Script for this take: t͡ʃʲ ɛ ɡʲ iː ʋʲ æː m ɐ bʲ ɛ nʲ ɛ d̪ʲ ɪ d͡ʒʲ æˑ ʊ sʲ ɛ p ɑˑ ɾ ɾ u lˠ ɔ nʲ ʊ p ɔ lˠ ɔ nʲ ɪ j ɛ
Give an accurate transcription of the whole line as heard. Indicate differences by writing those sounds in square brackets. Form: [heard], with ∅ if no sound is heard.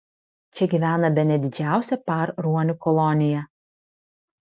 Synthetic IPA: t͡ʃʲ ɛ ɡʲ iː ʋʲ æː [n] ɐ bʲ ɛ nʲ ɛ d̪ʲ ɪ d͡ʒʲ æˑ ʊ sʲ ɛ p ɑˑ ɾ ɾ u [∅] ɔ nʲ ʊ [k] ɔ lˠ ɔ nʲ ɪ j ɛ